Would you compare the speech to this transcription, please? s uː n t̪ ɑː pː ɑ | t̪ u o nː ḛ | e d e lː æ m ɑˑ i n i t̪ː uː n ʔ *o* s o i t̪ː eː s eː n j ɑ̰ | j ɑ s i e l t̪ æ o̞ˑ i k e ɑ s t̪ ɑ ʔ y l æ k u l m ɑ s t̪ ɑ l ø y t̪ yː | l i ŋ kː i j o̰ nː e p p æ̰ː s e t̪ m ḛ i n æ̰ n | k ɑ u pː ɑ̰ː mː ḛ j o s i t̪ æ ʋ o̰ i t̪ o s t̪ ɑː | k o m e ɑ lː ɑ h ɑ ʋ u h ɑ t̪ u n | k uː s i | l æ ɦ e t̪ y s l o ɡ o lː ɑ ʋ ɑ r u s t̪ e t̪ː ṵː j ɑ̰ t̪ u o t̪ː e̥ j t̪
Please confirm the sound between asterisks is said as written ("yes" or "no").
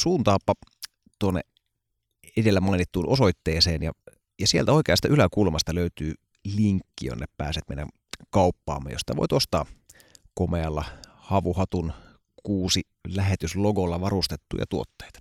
yes